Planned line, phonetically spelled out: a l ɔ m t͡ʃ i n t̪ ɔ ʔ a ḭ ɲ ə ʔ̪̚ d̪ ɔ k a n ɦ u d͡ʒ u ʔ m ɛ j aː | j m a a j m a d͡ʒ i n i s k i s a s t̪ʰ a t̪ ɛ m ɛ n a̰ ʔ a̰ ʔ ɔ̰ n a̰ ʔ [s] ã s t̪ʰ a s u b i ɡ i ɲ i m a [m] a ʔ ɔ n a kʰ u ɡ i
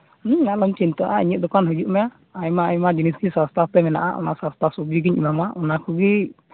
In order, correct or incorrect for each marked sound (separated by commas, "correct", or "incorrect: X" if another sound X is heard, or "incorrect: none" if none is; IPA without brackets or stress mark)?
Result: correct, correct